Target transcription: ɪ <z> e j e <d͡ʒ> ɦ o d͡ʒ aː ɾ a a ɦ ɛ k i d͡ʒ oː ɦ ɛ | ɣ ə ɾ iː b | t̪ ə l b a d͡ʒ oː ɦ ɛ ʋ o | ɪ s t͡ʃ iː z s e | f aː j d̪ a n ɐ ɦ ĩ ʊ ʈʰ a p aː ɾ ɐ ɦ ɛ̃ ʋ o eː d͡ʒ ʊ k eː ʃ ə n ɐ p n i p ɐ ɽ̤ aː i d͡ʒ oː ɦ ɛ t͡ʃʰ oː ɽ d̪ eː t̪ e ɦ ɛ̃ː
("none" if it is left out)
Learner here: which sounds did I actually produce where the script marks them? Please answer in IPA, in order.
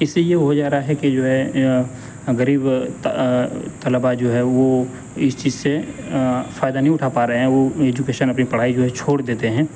s, none

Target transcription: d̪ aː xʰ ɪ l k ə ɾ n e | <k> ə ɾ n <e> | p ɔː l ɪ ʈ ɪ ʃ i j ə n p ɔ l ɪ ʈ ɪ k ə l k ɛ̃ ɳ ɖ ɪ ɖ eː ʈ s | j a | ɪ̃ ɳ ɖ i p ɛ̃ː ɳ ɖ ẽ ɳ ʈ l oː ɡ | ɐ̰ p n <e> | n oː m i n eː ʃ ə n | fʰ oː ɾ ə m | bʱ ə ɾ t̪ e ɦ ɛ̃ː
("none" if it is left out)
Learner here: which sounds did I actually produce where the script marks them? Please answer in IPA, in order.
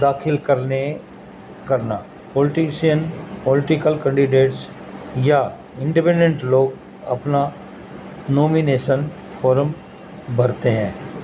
k, a, a

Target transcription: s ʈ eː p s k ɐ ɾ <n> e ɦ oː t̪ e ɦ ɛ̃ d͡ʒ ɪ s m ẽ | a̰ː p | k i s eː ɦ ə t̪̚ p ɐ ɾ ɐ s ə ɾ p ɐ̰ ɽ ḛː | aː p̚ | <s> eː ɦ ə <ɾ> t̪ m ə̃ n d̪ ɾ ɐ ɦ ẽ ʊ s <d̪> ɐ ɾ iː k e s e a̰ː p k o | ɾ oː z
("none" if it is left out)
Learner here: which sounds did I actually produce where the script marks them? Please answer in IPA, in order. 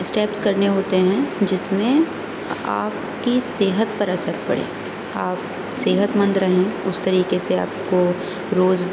n, s, none, t̪

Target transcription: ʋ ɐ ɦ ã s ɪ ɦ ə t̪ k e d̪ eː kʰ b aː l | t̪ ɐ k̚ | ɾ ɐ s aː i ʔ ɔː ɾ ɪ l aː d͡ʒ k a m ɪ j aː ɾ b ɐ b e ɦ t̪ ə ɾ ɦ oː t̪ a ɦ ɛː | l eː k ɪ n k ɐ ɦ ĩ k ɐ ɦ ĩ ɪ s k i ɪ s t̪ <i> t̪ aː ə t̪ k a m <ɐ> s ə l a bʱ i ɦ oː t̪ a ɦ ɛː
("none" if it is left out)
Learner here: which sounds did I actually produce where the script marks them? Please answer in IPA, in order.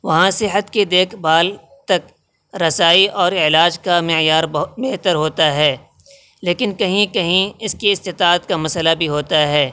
ɪ, ɐ

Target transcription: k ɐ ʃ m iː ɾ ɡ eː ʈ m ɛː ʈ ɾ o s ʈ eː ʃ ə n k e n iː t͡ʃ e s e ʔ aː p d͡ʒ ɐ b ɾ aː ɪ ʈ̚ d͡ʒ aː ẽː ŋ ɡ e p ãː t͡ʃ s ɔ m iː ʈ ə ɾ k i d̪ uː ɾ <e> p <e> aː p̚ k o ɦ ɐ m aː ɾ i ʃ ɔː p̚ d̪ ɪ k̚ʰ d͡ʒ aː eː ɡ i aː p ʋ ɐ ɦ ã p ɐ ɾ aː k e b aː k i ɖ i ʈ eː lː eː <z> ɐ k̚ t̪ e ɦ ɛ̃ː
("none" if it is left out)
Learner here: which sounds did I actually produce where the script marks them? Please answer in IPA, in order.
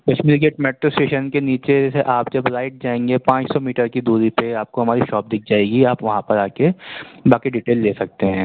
i, e, s

